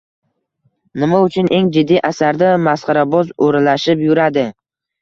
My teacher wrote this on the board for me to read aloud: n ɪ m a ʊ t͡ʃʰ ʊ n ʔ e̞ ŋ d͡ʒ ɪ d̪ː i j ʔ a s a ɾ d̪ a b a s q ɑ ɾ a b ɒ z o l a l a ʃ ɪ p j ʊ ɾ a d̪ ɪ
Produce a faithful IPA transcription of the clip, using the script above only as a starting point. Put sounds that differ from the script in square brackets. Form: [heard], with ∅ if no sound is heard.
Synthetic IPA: n ɪ m a ʊ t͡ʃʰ ʊ n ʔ e̞ ŋ d͡ʒ ɪ d̪ː i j ʔ a s a ɾ d̪ a [m] a s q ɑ ɾ a b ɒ z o [ɾ] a l a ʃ ɪ p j ʊ ɾ a d̪ ɪ